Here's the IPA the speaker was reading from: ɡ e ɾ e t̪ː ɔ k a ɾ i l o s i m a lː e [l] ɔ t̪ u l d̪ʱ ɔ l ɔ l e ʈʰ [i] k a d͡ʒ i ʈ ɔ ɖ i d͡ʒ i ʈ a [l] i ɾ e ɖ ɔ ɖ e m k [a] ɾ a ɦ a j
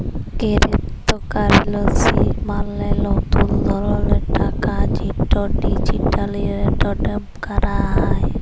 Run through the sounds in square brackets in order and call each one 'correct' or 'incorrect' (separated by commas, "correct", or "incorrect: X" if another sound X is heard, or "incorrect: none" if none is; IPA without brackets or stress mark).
correct, incorrect: a, correct, correct